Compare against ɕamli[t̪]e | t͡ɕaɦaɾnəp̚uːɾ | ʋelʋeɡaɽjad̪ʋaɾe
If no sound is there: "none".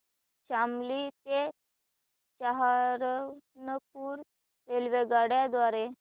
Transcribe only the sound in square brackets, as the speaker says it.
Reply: t̪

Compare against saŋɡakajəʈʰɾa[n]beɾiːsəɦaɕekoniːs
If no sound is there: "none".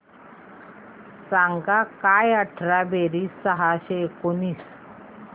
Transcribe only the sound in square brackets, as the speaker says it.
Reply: none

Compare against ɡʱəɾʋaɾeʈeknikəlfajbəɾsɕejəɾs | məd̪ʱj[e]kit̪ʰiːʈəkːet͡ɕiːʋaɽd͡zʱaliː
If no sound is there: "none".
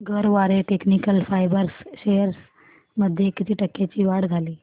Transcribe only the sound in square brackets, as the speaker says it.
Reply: e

